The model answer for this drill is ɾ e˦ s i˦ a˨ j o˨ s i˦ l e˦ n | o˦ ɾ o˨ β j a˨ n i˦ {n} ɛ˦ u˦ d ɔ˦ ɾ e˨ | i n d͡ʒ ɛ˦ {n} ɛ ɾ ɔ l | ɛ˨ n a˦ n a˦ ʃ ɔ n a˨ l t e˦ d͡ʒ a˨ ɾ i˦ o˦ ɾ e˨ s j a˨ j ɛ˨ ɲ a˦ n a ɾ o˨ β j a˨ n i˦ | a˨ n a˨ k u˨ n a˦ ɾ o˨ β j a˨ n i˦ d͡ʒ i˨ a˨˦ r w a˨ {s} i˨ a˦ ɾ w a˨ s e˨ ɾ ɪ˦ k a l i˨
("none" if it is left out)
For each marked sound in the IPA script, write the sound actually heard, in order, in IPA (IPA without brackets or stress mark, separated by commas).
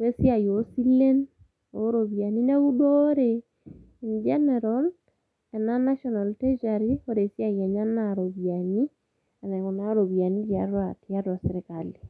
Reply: n, n, t